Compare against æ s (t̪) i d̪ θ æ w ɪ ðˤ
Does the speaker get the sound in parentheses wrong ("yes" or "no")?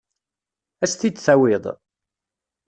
no